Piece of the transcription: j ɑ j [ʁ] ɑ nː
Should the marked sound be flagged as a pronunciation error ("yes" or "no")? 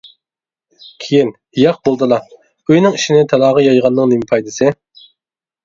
no